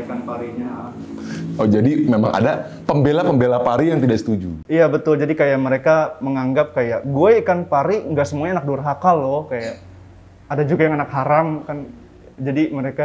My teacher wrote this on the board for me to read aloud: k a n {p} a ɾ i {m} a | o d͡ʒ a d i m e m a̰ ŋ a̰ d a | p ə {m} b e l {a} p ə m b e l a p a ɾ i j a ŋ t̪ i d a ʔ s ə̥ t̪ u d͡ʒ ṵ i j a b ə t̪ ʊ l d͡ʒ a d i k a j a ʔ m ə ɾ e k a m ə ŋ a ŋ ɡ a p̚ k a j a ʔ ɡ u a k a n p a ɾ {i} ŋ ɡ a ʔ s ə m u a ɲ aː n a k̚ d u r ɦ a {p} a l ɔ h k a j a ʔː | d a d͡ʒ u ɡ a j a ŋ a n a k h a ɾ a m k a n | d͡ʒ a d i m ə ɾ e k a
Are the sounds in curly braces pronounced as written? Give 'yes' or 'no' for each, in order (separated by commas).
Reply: yes, no, yes, yes, yes, no